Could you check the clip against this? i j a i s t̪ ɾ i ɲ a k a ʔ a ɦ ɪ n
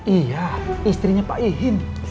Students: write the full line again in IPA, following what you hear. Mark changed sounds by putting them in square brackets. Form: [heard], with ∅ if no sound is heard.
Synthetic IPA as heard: i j a i s t̪ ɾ i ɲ a [p] a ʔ [i] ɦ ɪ n